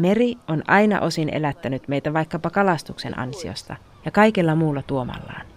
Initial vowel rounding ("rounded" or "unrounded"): unrounded